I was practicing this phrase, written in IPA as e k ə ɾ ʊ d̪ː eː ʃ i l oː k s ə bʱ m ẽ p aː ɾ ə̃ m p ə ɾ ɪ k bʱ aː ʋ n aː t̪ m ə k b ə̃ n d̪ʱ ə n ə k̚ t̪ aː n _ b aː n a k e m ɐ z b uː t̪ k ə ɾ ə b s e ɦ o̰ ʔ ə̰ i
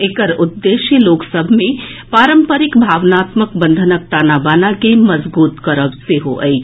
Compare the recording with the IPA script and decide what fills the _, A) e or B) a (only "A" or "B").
B